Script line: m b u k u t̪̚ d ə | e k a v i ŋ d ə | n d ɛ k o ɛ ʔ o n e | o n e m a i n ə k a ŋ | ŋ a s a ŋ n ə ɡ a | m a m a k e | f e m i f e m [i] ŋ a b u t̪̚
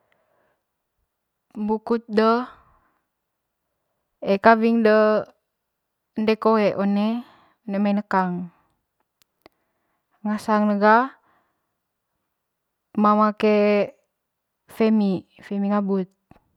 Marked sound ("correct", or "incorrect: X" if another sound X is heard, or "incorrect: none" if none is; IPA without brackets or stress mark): correct